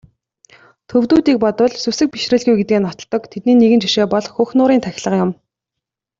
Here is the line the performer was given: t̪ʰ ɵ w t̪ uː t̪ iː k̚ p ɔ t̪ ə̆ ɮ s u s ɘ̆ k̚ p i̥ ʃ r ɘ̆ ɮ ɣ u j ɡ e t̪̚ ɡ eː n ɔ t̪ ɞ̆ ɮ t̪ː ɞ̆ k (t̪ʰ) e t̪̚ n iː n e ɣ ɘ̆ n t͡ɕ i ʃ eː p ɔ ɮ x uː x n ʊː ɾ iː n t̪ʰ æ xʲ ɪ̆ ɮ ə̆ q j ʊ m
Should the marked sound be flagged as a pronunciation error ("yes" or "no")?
no